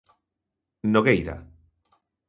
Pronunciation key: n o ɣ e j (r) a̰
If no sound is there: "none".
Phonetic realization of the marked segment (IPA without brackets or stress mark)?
ɾ